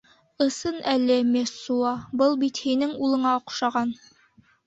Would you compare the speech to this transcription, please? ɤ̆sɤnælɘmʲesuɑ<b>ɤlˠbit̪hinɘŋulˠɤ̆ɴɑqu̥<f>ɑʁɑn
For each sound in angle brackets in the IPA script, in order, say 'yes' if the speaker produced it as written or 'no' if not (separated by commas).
yes, no